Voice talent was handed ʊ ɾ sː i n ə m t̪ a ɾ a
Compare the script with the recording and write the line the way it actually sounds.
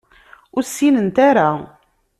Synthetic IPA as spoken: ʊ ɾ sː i n ə n t̪ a ɾ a